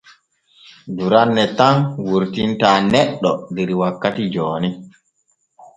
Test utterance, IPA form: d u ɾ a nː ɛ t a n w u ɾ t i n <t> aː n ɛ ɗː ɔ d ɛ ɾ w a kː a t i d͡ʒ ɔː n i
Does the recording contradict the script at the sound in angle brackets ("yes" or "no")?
no